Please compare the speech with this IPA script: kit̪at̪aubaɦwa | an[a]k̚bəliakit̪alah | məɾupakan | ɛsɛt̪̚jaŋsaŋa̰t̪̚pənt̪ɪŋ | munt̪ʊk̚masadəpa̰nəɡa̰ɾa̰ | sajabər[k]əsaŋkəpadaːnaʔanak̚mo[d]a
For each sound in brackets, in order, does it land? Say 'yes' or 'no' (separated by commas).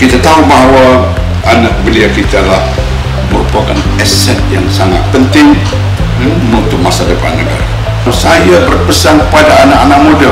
yes, no, yes